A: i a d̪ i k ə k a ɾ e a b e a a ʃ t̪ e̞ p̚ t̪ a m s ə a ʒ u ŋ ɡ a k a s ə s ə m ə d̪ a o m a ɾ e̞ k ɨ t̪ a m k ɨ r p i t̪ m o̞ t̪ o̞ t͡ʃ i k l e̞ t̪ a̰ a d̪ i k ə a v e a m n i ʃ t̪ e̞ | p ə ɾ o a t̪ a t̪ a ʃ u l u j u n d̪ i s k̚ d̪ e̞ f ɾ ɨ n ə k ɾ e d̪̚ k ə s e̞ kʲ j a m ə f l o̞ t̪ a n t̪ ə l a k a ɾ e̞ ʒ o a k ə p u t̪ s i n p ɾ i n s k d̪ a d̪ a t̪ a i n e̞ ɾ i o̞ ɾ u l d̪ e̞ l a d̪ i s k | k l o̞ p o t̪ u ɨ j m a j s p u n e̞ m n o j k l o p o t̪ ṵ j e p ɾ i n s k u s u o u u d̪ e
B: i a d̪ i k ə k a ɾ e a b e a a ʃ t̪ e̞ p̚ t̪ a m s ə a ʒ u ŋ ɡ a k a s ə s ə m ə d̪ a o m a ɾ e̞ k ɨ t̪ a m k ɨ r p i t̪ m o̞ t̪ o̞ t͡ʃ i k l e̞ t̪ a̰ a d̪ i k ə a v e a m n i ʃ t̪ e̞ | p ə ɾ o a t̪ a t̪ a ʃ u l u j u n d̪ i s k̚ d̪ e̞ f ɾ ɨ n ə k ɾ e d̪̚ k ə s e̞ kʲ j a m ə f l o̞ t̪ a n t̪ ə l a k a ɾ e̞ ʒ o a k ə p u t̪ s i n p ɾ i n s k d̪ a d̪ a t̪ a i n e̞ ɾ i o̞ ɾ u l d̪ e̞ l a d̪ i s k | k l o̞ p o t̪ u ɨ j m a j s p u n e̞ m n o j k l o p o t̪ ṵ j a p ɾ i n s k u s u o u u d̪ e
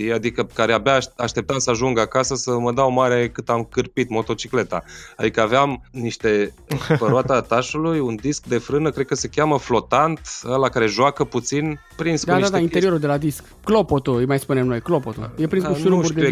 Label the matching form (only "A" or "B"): A